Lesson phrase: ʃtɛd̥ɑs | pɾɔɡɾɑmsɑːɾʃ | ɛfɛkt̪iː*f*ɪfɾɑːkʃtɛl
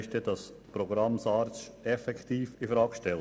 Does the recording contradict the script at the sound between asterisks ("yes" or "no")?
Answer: no